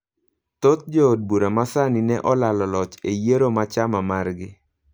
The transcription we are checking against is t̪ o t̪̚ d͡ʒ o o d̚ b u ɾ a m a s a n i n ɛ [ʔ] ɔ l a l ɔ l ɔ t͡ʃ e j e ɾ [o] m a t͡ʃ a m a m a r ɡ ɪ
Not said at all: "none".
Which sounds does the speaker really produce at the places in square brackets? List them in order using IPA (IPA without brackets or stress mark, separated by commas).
ʔ, o